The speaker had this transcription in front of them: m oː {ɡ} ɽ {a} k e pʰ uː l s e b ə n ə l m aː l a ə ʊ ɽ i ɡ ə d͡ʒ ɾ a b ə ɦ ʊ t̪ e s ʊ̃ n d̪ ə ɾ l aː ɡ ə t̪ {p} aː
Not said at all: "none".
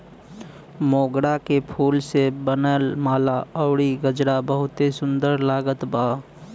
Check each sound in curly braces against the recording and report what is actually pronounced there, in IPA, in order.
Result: ɡ, a, b

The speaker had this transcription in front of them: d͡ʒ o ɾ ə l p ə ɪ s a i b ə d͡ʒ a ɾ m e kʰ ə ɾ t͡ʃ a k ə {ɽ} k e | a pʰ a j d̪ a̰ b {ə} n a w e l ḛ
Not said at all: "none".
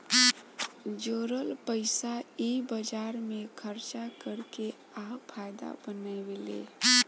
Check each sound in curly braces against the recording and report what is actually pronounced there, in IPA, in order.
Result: ɾ, ə

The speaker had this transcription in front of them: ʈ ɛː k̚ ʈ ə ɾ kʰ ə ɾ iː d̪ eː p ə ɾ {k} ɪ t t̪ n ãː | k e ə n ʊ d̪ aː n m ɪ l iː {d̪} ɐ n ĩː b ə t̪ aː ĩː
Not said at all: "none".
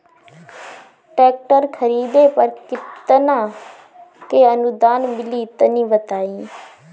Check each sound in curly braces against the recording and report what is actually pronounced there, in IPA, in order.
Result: k, t̪

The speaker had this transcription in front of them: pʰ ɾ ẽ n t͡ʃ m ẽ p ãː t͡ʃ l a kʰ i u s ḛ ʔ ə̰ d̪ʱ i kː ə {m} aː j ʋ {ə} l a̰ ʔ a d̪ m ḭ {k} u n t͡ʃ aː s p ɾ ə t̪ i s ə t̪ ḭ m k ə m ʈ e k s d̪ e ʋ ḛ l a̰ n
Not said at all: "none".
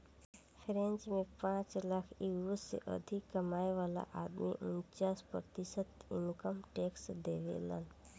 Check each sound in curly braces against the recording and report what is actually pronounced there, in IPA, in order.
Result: m, a, ʔ

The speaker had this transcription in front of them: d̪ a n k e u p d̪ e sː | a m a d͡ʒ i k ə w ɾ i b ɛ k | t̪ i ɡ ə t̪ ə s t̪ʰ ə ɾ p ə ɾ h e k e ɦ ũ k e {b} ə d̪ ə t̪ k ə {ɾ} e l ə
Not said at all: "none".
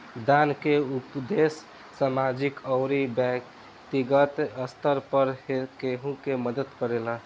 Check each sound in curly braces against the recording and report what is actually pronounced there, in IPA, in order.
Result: m, ɾ

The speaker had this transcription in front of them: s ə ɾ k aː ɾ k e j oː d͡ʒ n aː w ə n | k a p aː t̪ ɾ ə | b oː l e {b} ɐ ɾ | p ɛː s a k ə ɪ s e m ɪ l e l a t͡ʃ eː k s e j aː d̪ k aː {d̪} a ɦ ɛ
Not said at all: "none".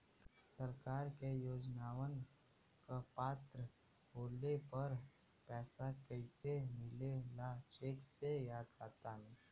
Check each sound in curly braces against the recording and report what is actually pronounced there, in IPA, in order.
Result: p, t̪

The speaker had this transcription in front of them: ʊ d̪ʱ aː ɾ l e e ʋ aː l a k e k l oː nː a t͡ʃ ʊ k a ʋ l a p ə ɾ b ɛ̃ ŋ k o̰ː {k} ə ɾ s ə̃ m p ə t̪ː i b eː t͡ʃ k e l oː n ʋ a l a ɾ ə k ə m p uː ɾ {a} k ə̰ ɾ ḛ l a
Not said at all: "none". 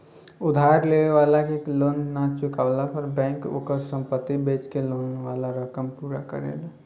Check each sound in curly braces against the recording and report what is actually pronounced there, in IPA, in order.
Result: k, a

